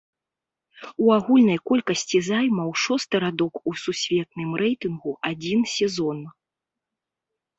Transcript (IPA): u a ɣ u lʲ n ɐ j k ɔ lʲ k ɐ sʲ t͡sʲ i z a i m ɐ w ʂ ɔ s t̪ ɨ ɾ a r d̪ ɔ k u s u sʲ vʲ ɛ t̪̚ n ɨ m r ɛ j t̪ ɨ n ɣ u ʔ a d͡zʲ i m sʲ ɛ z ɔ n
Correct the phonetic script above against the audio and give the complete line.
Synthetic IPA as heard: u a ɣ u lʲ n ɐ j k ɔ lʲ k ɐ sʲ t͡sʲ i z a j m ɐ w ʂ ɔ s t̪ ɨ ɾ a d̪ ɔ k u s u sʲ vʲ ɛ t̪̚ n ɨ m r ɛ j t̪ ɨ n ɣ u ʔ a d͡zʲ i n sʲ ɛ z ɔ n

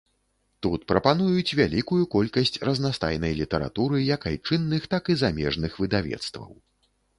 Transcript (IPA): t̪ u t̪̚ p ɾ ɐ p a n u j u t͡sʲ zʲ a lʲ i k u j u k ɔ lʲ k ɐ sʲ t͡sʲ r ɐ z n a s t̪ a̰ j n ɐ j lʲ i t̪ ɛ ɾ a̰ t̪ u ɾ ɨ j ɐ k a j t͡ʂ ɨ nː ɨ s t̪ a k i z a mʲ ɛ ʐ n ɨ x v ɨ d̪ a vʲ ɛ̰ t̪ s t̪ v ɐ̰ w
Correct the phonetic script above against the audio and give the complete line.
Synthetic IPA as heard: t̪ u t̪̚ p ɾ ɐ p a n u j u t͡sʲ vʲ a lʲ i k u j u k ɔ lʲ k ɐ sʲ t͡sʲ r ɐ z n a s t̪ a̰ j n ɐ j lʲ i t̪ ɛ ɾ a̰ t̪ u ɾ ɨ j ɐ k a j t͡ʂ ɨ nː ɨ x t̪ a k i z a mʲ ɛ ʐ n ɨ x v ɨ d̪ a vʲ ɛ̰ t̪ s t̪ v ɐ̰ w

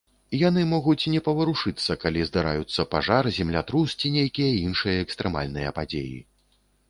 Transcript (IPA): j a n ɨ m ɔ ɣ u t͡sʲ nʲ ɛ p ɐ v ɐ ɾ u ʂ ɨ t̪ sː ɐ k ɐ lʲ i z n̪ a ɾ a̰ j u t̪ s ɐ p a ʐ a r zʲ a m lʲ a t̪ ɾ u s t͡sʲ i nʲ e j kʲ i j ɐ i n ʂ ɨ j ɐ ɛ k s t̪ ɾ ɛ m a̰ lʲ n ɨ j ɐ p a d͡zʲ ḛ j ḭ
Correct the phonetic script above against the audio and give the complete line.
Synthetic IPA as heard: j a n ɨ m ɔ ɣ u t͡sʲ nʲ ɛ p ɐ v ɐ ɾ u ʂ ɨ t̪ sː ɐ k a lʲ i z d̪ a ɾ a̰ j u t̪ sː ɐ p a ʐ a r zʲ ɛ m lʲ a t̪ ɾ u s t͡sʲ i nʲ e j kʲ i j ɐ i n ʂ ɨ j ɐ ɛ k s t̪ ɾ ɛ m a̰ lʲ n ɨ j ɐ p a d͡zʲ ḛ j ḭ

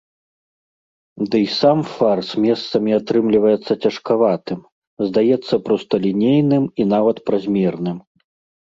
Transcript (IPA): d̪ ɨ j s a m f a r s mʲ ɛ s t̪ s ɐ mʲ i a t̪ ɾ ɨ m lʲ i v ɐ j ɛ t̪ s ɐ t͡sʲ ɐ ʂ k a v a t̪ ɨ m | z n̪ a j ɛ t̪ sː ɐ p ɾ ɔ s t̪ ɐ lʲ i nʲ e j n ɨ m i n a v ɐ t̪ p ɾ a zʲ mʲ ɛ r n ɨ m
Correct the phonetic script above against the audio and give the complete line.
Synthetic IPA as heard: d̪ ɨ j s a m f a r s mʲ ɛ s t̪ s ɐ mʲ i a t̪ ɾ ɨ m lʲ i v ɐ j ɛ t̪ sː ɐ t͡sʲ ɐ ʂ k a v a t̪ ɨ m | z d̪ a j ɛ t̪ sː ɐ p ɾ ɔ s t̪ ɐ lʲ i nʲ e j n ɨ m i n a v ɐ t̪ p ɾ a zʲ mʲ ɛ r n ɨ m

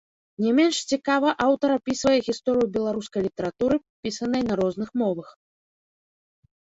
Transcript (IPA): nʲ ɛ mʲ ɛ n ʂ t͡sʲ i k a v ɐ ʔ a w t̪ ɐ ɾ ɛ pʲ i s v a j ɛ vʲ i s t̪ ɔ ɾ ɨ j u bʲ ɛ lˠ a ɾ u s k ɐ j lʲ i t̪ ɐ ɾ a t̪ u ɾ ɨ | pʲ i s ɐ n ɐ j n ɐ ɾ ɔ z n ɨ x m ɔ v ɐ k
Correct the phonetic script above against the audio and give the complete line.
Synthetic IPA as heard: nʲ ɛ mʲ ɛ n ʂ t͡sʲ i k a v ɐ ʔ a w t̪ ɐ ɾ a pʲ i s v ɐ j ɛ ɣʲ i s t̪ ɔ ɾ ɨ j u bʲ ɛ lˠ a ɾ u s k ɐ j lʲ i t̪ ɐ ɾ a t̪ u ɾ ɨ | pʲ i s ɐ n ɐ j n ɐ ɾ ɔ z n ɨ x m ɔ v ɐ x

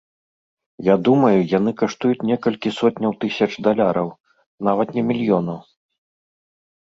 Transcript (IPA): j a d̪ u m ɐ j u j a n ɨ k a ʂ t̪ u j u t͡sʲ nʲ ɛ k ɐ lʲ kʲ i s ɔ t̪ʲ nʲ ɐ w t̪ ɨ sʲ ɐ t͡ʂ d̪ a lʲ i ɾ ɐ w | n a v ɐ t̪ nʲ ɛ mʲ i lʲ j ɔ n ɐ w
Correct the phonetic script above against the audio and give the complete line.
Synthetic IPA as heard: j a d̪ u m ɐ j u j a n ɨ k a ʂ t̪ u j u t͡sʲ nʲ ɛ k ɐ lʲ kʲ i s ɔ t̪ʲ nʲ ɐ w t̪ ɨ sʲ ɐ t͡ʂ d̪ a lʲ a ɾ ɐ w | n a v ɐ t̪ nʲ ɛ mʲ i lʲ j ɔ n ɐ w

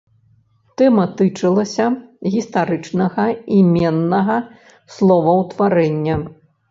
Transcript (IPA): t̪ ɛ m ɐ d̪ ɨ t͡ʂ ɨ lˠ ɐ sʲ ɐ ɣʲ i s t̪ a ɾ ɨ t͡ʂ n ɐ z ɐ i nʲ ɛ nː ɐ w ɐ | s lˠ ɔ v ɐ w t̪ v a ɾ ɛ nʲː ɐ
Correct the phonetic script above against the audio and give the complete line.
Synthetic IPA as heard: t̪ ɛ m ɐ t̪ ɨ t͡ʂ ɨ lˠ ɐ sʲ ɐ ɣʲ i s t̪ a ɾ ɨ t͡ʂ n ɐ ɣ ɐ i mʲ ɛ nː ɐ ɣ ɐ | s lˠ ɔ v ɐ w t̪ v a ɾ ɛ nʲː ɐ

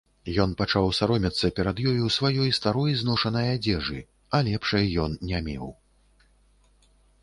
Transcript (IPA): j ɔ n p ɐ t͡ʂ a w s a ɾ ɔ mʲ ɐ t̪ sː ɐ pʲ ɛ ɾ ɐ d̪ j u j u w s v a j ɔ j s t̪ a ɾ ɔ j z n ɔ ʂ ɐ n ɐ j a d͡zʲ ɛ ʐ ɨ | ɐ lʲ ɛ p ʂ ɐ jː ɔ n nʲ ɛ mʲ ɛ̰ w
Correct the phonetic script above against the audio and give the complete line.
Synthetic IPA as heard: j ɔ n p a t͡ʂ a w s a ɾ ɔ mʲ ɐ t̪ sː ɐ pʲ ɛ ɾ ɐ d̪ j ɔ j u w s v a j ɔ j s t̪ a ɾ ɔ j z n ɔ ʂ ɐ n ɐ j a d͡zʲ ɛ ʐ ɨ | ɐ lʲ ɛ p ʂ ɐ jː ɔ n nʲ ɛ mʲ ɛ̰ w

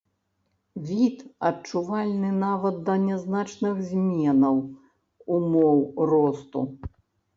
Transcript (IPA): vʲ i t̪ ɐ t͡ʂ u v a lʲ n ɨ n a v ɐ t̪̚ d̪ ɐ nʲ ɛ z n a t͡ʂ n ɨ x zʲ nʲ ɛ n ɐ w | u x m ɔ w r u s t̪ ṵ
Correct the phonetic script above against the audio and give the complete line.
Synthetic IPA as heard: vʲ i t̪ ɐ t͡ʂ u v a lʲ n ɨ n a v ɐ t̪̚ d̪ ɐ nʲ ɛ z n a t͡ʂ n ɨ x zʲ mʲ ɛ n ɐ w | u m ɔ w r ɔ s t̪ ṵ

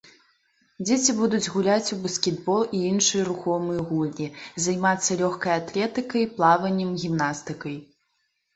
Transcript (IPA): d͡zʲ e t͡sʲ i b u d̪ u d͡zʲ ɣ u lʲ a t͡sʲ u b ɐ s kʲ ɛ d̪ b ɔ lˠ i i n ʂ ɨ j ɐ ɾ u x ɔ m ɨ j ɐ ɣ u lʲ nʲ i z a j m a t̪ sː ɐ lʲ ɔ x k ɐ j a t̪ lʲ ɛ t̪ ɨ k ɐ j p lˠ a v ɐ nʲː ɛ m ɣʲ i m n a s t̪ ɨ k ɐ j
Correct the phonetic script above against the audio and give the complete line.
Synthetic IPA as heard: d͡zʲ e t͡sʲ i b u d̪ u d͡zʲ ɣ u lʲ a t͡sʲ u b ɐ s kʲ ɛ d̪ b ɔ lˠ i i n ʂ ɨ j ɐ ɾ u x ɔ m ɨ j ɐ ɣ u lʲ nʲ i z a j m a t̪ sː ɐ lʲ ɔ x k ɐ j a t̪ lʲ ɛ t̪ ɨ k ɐ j p lˠ a v ɐ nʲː ɛ m ɣʲ i m n a s t̪ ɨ k ɐ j

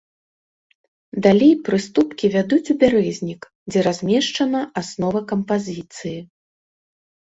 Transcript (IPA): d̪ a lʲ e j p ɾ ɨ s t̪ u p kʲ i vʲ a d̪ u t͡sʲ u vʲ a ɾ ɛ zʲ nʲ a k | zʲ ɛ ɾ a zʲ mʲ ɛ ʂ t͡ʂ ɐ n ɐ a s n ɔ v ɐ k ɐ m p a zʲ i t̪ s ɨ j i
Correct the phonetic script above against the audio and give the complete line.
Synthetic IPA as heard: d̪ a lʲ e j p ɾ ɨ s t̪ u p kʲ i vʲ a d̪ u t͡sʲ u bʲ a ɾ ɛ zʲ nʲ i k | d͡zʲ ɛ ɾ a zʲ mʲ ɛ ʂ t͡ʂ ɐ n ɐ a s n ɔ v ɐ k ɐ m p a zʲ i t̪ s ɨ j i

